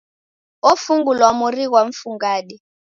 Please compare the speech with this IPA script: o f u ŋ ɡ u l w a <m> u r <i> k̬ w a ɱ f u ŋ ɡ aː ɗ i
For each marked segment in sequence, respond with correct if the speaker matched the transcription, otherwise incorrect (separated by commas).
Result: correct, correct